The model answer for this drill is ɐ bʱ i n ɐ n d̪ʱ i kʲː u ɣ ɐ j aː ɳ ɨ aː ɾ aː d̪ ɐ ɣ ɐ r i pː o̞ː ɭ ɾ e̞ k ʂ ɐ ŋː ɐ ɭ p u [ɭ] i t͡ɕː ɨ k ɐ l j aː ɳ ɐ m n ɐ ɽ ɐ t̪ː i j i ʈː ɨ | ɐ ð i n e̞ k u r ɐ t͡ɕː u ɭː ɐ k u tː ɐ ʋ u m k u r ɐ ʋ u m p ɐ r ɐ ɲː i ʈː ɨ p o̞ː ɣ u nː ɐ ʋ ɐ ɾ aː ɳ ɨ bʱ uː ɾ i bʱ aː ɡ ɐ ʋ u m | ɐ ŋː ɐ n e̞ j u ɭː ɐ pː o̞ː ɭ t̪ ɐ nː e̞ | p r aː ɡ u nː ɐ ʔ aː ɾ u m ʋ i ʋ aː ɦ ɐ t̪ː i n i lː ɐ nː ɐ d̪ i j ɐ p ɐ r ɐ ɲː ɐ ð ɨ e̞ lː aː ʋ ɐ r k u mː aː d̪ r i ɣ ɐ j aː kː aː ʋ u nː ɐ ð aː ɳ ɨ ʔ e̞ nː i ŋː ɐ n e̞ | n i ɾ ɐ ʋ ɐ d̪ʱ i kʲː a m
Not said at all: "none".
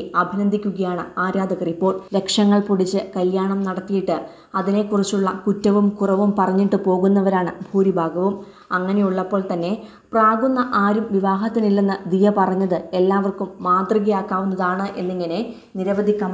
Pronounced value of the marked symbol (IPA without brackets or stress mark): ɽ